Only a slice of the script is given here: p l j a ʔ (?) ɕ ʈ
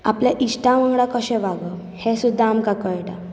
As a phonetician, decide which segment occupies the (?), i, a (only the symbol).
i